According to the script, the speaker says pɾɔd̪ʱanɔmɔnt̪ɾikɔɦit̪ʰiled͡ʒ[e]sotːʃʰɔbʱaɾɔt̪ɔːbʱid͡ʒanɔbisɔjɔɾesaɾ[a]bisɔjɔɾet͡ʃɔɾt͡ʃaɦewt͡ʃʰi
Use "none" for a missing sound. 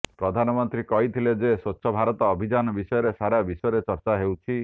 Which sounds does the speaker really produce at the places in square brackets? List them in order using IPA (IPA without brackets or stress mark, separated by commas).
e, a